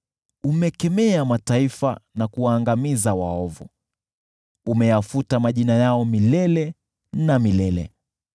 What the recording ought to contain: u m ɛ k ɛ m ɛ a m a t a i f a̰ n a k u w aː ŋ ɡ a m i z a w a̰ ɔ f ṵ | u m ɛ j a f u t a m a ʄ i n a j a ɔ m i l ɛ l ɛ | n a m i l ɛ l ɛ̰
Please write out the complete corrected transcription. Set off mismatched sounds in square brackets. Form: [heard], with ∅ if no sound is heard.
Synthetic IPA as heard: u m ɛ k ɛ m ɛ a m a t a i f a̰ n a k u w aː ŋ ɡ a m i z a w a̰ ɔ [v] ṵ | u m ɛ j a f u t a m a ʄ i n a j a ɔ m i l ɛ l ɛ | n a m i l ɛ l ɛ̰